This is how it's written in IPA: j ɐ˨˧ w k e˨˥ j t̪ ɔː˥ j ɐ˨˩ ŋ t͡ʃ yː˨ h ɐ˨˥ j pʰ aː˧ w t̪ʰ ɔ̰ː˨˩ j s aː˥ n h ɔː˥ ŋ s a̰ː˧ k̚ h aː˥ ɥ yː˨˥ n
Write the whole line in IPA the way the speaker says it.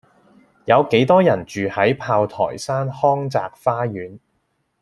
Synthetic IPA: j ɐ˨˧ w k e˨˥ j t̪ ɔː˥ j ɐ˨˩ n t͡ʃ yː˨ h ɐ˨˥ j pʰ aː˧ w t̪ʰ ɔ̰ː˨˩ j s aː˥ n h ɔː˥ ŋ t͡s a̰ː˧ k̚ f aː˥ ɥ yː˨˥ n